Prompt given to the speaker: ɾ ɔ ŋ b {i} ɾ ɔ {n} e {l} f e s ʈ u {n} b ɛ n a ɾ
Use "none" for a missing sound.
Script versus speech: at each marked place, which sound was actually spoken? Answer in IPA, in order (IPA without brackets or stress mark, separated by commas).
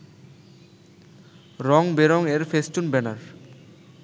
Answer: e, ŋ, ɾ, n